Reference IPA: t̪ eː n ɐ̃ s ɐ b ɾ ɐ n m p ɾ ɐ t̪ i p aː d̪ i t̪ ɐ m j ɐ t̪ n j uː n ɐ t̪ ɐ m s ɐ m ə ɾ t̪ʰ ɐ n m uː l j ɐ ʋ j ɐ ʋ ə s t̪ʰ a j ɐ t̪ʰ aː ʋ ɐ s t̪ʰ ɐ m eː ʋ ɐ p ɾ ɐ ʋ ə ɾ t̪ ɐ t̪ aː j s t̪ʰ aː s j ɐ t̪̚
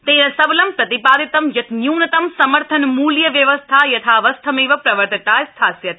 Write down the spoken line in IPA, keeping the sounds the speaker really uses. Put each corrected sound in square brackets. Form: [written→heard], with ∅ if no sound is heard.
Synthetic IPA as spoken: t̪ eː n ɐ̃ s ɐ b [ɾ→l] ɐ [n→∅] m p ɾ ɐ t̪ i p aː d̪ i t̪ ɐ m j ɐ t̪ n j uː n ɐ t̪ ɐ m s ɐ m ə ɾ t̪ʰ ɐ n m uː l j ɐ ʋ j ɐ ʋ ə s t̪ʰ a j ɐ t̪ʰ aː ʋ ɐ s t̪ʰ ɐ m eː ʋ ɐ p ɾ ɐ ʋ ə ɾ t̪ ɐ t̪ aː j s t̪ʰ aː s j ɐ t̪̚

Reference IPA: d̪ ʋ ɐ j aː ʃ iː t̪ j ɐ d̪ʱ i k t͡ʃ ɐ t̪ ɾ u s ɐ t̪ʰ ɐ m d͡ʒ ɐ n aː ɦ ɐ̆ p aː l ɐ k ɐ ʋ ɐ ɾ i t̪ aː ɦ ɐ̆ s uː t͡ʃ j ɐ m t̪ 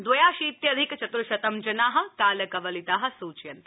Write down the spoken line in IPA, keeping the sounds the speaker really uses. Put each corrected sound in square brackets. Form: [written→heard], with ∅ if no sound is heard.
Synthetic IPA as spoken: d̪ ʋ ɐ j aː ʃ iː t̪ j ɐ d̪ʱ i k t͡ʃ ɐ t̪ ɾ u [s→ʃ] ɐ [t̪ʰ→t̪] ɐ m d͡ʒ ɐ n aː ɦ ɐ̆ [p→k] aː l ɐ k ɐ ʋ ɐ [ɾ→l] i t̪ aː ɦ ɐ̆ s uː t͡ʃ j ɐ [m→n] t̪

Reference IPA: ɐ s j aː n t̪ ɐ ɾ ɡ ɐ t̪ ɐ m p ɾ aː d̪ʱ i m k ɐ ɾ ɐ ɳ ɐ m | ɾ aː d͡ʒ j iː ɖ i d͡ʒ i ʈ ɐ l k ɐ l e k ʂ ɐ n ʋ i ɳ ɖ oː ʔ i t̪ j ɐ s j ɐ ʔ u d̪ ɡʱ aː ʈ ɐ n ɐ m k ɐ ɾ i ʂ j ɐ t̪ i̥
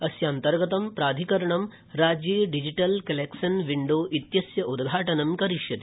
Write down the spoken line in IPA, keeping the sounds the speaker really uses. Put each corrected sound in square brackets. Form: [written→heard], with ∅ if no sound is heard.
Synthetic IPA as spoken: ɐ s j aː n t̪ ɐ ɾ ɡ ɐ t̪ ɐ m p ɾ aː d̪ʱ i [m→∅] k ɐ ɾ ɐ ɳ ɐ m | ɾ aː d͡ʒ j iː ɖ i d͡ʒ i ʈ ɐ l k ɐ l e k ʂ ɐ n ʋ i ɳ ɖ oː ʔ i t̪ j ɐ s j ɐ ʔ u d̪ ɡʱ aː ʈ ɐ n ɐ m k ɐ ɾ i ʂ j ɐ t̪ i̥

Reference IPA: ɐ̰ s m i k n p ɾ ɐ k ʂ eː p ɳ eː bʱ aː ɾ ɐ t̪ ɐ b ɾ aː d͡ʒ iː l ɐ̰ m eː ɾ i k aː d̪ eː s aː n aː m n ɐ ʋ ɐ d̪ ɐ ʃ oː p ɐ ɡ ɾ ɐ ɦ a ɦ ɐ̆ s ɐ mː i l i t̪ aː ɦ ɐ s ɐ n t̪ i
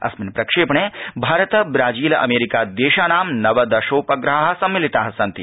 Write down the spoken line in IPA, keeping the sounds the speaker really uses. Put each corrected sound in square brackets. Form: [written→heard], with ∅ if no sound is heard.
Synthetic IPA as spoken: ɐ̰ s m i [k→∅] n p ɾ ɐ k ʂ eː p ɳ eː bʱ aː ɾ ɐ t̪ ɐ b ɾ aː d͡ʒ iː l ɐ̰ m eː ɾ i k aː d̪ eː [s→ʃ] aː n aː m n ɐ ʋ ɐ d̪ ɐ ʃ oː p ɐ ɡ ɾ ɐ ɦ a ɦ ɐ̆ s ɐ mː i l i t̪ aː ɦ ɐ s ɐ n t̪ i

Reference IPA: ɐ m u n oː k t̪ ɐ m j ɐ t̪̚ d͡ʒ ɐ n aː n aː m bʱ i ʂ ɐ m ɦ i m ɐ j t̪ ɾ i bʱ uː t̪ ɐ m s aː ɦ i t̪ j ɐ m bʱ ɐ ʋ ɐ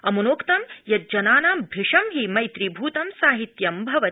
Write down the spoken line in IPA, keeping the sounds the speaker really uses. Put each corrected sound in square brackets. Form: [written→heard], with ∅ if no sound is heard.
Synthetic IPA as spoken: ɐ m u n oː k t̪ ɐ m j ɐ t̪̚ d͡ʒ ɐ n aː n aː m bʱ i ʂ ɐ m ɦ i m ɐ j t̪ ɾ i bʱ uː t̪ ɐ m s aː ɦ i t̪ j ɐ m bʱ ɐ ʋ ɐ

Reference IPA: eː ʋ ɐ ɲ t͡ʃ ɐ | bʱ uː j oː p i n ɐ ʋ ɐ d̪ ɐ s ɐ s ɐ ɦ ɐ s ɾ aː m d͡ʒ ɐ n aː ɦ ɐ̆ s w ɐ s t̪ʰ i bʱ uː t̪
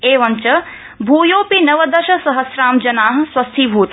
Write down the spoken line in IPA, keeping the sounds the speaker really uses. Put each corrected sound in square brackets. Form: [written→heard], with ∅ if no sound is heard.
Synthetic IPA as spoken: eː ʋ ɐ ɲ t͡ʃ ɐ | bʱ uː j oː p i n ɐ ʋ ɐ d̪ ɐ [s→ʃ] ɐ s ɐ ɦ ɐ s ɾ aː m d͡ʒ ɐ n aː ɦ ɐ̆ s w ɐ s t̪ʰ i bʱ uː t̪

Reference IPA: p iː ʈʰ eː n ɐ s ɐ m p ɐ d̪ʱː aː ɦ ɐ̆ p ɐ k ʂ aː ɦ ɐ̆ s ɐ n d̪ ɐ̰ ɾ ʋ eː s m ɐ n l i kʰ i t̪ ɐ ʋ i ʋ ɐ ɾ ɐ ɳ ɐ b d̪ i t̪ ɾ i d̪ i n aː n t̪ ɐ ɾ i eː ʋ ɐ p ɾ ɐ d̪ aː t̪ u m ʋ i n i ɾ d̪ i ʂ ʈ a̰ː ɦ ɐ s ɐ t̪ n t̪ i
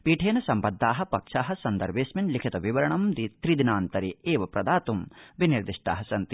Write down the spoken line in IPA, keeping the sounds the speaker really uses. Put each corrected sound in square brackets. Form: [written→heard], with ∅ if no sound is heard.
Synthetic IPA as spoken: p iː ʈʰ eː n ɐ s ɐ m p ɐ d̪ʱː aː ɦ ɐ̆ p ɐ k ʂ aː ɦ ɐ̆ s ɐ n d̪ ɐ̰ ɾ ʋ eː s m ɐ n l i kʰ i t̪ ɐ ʋ i ʋ ɐ ɾ ɐ ɳ ɐ [b→m] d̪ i t̪ ɾ i d̪ i n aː n t̪ ɐ ɾ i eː ʋ ɐ p ɾ ɐ d̪ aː t̪ u m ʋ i n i ɾ d̪ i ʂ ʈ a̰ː ɦ ɐ s ɐ [t̪→∅] n t̪ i

